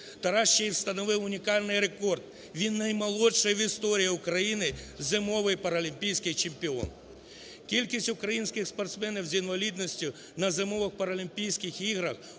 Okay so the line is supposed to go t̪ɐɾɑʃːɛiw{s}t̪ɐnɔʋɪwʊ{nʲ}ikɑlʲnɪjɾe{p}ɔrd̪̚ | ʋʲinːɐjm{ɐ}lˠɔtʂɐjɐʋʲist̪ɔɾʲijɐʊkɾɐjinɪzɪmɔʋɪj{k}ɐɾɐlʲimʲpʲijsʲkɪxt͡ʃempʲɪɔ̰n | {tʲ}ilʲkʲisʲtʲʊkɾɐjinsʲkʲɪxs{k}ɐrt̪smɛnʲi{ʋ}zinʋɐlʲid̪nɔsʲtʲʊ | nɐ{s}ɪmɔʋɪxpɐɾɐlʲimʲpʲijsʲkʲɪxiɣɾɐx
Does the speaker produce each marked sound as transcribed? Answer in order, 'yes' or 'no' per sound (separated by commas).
yes, yes, no, yes, no, no, no, no, no